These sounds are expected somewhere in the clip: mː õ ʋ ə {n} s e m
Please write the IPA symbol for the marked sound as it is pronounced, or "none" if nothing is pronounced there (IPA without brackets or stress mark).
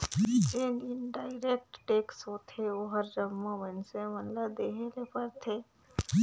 n